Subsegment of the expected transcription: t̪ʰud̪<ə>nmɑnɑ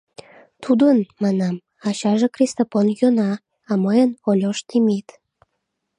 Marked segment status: correct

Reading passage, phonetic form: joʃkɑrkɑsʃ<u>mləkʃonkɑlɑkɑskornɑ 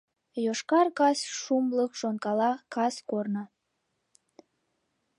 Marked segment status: correct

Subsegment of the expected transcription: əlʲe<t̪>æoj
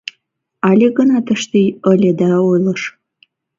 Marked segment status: incorrect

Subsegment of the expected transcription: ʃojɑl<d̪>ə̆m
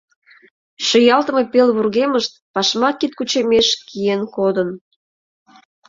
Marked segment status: incorrect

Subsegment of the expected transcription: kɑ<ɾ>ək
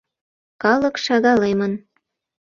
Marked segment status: incorrect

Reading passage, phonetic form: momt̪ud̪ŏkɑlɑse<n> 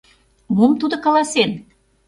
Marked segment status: correct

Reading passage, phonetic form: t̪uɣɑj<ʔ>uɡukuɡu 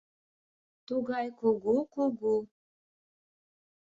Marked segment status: incorrect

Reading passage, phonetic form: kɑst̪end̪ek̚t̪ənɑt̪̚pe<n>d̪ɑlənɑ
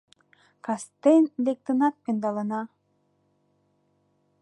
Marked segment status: correct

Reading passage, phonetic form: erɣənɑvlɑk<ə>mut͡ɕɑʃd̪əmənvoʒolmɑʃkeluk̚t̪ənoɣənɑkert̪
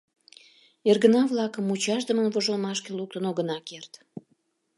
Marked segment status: correct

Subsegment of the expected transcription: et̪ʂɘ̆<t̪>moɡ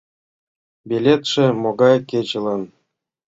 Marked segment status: incorrect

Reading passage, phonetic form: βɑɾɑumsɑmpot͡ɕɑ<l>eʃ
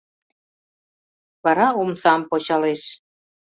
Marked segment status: correct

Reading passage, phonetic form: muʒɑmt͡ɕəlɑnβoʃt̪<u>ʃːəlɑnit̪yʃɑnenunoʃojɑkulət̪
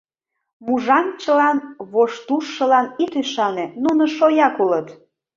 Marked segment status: correct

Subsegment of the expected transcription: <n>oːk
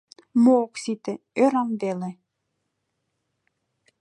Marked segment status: incorrect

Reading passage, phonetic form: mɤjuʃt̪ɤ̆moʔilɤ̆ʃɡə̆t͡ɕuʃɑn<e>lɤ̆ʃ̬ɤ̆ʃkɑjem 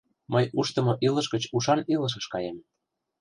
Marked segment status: incorrect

